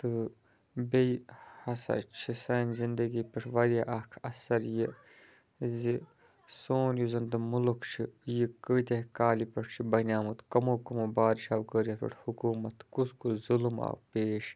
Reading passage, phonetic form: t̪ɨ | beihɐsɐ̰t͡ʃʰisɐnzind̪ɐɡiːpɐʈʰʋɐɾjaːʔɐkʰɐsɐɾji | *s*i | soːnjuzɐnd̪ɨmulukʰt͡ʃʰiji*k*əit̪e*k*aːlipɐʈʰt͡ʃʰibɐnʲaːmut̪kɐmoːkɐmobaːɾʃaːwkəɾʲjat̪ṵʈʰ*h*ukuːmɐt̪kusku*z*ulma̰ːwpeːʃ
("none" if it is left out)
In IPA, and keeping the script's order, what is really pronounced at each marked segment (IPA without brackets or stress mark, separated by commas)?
z, k, k, h, z